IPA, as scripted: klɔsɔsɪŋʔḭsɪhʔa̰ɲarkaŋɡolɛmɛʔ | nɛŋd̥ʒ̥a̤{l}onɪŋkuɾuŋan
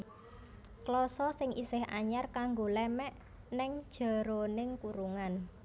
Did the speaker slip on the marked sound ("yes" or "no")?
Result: yes